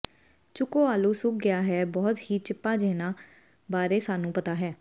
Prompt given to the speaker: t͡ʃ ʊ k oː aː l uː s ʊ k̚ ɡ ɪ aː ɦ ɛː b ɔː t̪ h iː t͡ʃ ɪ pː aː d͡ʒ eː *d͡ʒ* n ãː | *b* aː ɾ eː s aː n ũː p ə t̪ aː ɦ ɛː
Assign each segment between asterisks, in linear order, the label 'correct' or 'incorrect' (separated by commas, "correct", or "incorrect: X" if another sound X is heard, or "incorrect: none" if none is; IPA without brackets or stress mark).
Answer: incorrect: none, correct